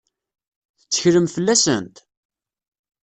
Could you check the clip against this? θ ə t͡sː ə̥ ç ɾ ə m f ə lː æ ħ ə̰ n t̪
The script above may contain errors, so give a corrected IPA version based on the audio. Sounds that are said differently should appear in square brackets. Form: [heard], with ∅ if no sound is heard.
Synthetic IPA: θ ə t͡sː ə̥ ç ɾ ə m f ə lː æ [s] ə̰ n t̪